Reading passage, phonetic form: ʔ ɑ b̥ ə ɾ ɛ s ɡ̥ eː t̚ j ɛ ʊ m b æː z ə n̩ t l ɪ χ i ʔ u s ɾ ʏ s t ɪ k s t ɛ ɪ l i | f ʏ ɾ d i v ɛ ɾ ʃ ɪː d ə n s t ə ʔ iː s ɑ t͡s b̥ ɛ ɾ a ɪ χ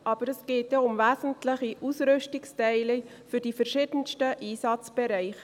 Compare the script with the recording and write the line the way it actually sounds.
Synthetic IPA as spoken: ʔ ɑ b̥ ə ɾ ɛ s ɡ̥ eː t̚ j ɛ ʊ m v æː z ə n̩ t l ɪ χ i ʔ u s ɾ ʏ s t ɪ k s t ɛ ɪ l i | f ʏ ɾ d i f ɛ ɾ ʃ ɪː d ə n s t ə ʔ iː s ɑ t͡s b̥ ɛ ɾ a ɪ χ

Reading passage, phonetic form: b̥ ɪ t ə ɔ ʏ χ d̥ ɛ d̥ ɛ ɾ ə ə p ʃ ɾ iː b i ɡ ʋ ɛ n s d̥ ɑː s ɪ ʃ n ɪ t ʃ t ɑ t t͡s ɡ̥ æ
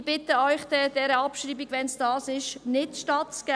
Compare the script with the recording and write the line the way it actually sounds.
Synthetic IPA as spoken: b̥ ɪ t ə ɔ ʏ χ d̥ ɛ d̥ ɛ ɾ ə ɑ p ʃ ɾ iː b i ɡ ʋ ɛ n s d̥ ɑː s ɪ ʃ n ɪ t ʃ t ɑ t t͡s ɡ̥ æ

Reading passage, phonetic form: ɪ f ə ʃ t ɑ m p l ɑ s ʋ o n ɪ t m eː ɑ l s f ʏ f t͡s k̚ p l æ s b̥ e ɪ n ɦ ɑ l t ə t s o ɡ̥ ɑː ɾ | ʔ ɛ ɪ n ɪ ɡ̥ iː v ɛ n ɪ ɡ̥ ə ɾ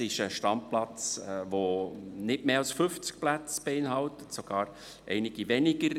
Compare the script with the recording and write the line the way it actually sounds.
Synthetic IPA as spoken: ɪ ʃ ə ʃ t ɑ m p l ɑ t͡s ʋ o n ɪ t m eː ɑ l s f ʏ f t͡s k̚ p l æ t͡s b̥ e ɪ n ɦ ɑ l t ə t s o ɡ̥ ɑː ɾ | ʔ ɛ ɪ n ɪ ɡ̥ i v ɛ n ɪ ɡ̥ ə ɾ

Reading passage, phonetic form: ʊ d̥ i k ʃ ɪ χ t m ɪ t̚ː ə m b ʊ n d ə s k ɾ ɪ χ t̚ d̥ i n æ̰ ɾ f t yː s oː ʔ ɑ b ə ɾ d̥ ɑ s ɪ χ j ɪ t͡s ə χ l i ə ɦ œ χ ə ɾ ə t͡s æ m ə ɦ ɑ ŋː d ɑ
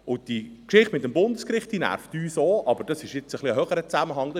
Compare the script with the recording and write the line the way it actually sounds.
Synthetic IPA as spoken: ʊ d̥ i k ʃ ɪ χ t m ɪ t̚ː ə m b ʊ n d ə s k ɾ ɪ χ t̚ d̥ i n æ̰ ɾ f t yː s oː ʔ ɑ b ə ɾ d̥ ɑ s ɪ ʃ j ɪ t͡s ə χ l i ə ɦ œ χ ə ɾ ə t͡s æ m ə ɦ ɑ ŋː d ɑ

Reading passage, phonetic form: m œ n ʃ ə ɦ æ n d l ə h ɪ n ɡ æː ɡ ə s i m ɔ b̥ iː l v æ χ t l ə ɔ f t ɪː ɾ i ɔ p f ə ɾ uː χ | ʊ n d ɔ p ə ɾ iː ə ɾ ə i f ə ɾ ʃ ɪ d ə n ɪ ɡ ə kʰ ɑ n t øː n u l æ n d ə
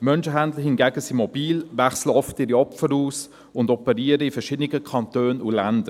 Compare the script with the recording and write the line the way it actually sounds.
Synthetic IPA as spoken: m œ n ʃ ə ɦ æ n d l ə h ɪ n ɡ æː ɡ ə s i m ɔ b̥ iː l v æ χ s l ə ɔ f t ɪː ɾ i ɔ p f ə ɾ uː s | ʊ n d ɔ p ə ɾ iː ə ɾ ə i f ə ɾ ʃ ɪ d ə n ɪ ɡ ə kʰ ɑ n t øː n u l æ n d ə

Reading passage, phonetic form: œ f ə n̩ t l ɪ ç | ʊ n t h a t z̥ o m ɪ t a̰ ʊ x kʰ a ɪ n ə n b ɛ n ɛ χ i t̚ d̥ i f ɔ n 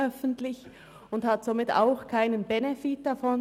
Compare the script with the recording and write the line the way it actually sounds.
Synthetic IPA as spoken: œ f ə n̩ t l ɪ ç | ʊ n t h a t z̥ o m ɪ t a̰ ʊ x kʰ a ɪ n ə n b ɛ n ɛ f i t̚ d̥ a f ɔ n

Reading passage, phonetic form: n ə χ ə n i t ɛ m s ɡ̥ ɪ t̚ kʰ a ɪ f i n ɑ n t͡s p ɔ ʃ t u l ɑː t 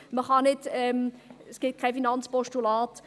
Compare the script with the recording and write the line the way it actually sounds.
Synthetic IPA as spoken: m ə χ ɑ n ɪ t ɛ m s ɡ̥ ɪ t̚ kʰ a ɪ f i n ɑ n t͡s p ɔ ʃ t u l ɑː t

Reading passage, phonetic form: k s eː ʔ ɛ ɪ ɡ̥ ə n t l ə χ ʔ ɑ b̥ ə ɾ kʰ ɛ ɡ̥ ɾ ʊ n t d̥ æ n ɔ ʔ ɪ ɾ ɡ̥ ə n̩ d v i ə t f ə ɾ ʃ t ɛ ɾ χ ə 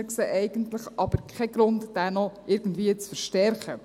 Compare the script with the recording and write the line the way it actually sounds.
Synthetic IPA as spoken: k s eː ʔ ɛ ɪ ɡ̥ ə n t l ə χ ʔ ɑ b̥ ə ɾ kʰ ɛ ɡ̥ ɾ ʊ n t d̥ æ n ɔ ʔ ɪ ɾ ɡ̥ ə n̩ d v i ə t͡s f ə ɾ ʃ t ɛ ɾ χ ə

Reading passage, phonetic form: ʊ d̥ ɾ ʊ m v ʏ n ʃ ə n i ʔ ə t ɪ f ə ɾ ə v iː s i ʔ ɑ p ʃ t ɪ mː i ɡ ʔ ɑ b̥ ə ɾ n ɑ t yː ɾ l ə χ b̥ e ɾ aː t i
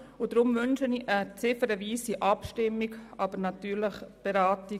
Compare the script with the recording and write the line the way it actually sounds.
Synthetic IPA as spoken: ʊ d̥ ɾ ʊ m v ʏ n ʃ ə n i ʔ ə t͡s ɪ f ə ɾ ə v iː s i ʔ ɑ p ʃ t ɪ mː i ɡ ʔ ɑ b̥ ə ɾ n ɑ t yː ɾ l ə χ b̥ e ɾ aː t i

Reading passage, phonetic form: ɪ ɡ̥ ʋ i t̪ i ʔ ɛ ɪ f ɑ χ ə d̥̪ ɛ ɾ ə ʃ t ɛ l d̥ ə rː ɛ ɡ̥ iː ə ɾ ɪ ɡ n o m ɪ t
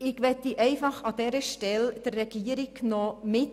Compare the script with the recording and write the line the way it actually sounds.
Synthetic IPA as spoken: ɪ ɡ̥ ʋ ɛ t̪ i ʔ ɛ ɪ f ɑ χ ɑ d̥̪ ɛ ɾ ə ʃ t ɛ l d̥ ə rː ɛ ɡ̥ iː ə ɾ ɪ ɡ n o m ɪ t

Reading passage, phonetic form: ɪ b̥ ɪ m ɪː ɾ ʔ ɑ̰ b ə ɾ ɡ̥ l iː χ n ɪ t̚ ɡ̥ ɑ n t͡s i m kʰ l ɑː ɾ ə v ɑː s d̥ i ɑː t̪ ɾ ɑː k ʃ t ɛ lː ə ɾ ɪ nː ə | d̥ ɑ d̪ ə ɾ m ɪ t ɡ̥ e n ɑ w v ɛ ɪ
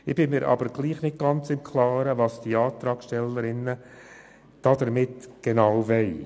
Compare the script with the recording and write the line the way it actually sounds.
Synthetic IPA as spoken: ɪ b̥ ɪ m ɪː ɾ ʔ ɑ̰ b ə ɾ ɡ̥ l iː χ n ɪ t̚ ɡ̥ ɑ n t͡s ɪ m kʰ l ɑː ɾ ə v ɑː s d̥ i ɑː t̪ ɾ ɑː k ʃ t ɛ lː ə ɾ ɪ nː ə | d̥ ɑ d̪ ə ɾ m ɪ t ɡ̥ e n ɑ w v ɛ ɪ

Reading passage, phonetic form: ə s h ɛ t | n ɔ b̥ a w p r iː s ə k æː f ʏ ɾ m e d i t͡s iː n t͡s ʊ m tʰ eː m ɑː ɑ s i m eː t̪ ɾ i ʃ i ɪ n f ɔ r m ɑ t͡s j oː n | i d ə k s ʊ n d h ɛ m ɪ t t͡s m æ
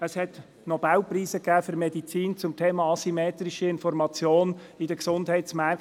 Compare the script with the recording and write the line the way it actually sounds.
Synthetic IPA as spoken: ə s h ɛ t | n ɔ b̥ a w p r iː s ə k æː f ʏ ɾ m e d i t͡s iː n t͡s ʊ m tʰ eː m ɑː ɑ s i m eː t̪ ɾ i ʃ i ɪ n f ɔ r m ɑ t͡s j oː n | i d ə k s ʊ n d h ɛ ɪ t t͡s m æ

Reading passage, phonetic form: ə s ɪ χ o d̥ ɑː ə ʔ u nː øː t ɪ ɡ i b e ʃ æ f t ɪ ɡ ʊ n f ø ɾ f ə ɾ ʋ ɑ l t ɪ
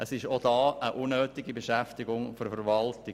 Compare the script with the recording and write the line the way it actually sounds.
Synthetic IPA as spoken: ə s ɪ ʃ o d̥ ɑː ə ʔ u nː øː t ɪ ɡ i b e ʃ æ f t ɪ ɡ ʊ ŋ f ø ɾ f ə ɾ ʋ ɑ l t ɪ

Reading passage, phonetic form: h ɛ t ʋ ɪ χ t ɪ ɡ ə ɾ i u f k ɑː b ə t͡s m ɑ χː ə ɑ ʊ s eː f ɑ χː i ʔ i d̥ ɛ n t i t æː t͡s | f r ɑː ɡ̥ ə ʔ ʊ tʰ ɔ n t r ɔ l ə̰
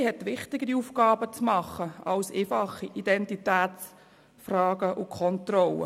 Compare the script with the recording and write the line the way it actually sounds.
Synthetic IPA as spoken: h ɛ t ʋ ɪ χ t ɪ ɡ ə ɾ i u f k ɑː b ə t͡s m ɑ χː ə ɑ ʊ s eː f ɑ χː i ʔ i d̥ ɛ n t i t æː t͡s | f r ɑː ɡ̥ ə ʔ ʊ kʰ ɔ n t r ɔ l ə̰

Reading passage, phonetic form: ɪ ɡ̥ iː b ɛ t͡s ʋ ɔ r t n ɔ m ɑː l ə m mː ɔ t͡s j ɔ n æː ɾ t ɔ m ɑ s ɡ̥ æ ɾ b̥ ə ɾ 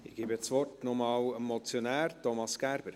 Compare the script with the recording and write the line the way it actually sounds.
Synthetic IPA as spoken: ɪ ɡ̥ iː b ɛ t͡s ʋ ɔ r t n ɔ m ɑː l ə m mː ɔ t͡s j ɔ n æː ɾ t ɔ m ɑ s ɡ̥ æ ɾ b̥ ə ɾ

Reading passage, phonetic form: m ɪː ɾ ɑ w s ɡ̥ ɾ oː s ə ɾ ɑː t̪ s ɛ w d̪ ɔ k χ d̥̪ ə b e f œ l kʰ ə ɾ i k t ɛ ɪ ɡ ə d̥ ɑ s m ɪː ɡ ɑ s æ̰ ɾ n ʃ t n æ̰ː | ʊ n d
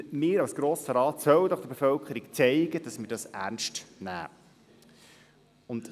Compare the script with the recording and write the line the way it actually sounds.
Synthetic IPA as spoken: m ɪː ɾ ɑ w s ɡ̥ ɾ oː s ə ɾ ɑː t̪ s œ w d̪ ɔ χ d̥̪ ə b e f œ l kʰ ə ɾ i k t͡s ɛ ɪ ɡ ə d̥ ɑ s m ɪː d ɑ s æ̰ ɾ n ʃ t n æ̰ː | ʊ n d

